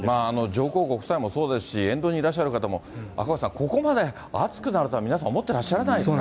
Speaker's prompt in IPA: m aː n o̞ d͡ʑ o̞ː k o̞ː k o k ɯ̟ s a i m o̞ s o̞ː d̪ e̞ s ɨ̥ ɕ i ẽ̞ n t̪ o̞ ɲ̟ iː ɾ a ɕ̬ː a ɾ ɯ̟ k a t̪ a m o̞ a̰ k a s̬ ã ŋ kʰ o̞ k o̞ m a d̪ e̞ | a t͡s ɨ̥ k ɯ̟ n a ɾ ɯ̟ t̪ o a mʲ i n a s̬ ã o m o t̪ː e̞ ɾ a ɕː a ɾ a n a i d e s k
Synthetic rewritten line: m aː n o̞ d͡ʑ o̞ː k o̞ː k o k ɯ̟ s a i m o̞ s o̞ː d̪ e̞ s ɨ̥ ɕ i ẽ̞ n d̪ o̞ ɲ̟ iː ɾ a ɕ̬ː a ɾ ɯ̟ k a t̪ a m o̞ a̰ k a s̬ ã ŋ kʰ o̞ k o̞ m a d̪ e̞ | a t͡s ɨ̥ k ɯ̟ n a ɾ ɯ̟ t̪ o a mʲ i n a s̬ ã o m o t̪ː e̞ ɾ a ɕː a ɾ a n a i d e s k